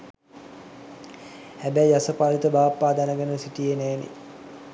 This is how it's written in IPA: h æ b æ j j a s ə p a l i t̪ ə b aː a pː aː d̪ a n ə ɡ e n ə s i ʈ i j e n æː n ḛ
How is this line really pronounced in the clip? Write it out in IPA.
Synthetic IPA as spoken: h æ b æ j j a s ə p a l i t̪ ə b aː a pː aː d̪ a n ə ɡ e n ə s i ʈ i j e n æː n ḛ